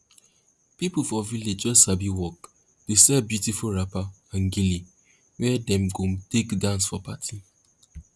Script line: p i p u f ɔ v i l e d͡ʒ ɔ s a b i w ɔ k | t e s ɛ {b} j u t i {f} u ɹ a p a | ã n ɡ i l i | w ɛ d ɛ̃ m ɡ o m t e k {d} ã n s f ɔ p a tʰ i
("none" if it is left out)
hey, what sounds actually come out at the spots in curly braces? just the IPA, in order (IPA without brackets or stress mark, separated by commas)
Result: b, f, d